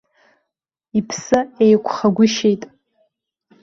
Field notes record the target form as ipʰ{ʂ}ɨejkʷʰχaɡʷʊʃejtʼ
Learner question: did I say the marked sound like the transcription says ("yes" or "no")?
no